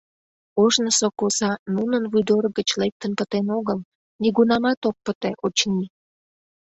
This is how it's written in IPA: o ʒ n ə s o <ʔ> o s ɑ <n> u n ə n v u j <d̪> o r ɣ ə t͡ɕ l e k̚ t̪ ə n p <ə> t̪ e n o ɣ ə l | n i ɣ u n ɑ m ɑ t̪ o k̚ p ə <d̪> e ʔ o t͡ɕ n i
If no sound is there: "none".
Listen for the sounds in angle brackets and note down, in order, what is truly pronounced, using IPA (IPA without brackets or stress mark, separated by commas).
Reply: k, n, d̪, ə, t̪